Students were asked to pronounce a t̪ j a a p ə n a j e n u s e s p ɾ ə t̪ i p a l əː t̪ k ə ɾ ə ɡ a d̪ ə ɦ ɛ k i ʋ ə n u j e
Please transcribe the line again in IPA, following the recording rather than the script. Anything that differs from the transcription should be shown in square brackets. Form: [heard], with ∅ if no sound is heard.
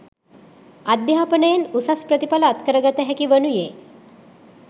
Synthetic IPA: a [d̪] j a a p ə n [ə] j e n u s [a] s p ɾ ə t̪ i p a l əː t̪ k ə ɾ ə ɡ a [t̪] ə ɦ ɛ k i ʋ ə n u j e